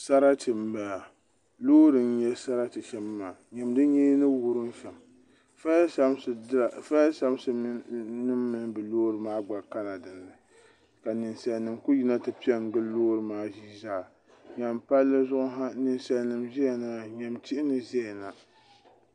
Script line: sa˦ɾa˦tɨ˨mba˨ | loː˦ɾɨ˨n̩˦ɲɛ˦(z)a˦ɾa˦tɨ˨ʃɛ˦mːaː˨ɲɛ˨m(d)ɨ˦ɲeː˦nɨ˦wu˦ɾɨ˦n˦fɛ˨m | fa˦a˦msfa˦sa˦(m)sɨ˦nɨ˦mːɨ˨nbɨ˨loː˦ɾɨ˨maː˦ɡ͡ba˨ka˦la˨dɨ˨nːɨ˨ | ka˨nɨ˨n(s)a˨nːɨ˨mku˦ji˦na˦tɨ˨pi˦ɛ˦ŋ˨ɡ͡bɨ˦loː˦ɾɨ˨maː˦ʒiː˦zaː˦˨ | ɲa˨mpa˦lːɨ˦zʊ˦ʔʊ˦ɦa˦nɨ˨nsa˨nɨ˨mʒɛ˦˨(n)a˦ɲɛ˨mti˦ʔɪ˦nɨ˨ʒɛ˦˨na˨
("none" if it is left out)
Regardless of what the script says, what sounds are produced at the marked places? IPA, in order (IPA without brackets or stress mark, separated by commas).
s, d, m, s, n